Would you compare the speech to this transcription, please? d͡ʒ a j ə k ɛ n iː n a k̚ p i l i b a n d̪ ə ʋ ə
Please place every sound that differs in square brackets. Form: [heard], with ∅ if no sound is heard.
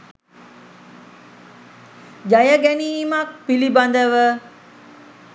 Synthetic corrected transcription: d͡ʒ a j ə [ɡ] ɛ n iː [m] a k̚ p i l i b a n d̪ ə ʋ ə